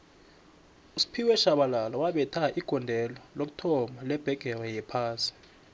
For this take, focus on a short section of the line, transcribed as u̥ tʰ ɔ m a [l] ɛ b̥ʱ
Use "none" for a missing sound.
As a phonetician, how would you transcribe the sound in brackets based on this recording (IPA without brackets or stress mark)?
l